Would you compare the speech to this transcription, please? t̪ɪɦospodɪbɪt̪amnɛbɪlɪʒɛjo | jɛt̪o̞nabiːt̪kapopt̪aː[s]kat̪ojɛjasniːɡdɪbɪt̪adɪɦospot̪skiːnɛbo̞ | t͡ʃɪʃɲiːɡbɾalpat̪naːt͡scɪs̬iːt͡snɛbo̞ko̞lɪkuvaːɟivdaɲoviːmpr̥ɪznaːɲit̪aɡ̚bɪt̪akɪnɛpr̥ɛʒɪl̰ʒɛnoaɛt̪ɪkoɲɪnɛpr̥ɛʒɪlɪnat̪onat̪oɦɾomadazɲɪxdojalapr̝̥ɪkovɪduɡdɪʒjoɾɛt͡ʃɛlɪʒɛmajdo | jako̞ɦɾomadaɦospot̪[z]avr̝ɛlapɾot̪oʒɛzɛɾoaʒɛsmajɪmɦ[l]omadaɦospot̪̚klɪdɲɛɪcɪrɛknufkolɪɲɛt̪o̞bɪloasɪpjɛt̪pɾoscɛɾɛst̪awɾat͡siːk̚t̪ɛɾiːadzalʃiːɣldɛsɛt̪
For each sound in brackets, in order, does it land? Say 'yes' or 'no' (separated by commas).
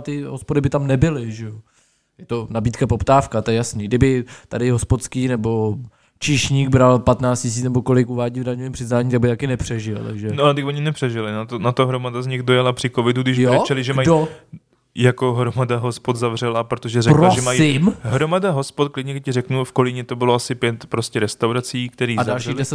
no, yes, no